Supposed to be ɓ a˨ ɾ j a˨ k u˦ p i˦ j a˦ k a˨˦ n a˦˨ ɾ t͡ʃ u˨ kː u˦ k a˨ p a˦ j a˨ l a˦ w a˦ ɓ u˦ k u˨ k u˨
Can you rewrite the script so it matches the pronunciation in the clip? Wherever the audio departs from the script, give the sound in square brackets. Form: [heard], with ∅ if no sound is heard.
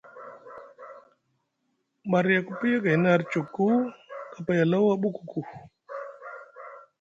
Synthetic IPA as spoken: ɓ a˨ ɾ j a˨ k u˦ p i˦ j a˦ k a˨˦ n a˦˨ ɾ t͡ʃ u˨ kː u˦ k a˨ p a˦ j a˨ l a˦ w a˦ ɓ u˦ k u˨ k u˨